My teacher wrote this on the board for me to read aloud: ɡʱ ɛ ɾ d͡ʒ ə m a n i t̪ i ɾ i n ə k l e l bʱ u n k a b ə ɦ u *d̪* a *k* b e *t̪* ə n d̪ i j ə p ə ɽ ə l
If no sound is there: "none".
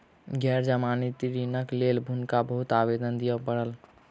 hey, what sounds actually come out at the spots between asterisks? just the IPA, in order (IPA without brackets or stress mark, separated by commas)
t̪, none, d̪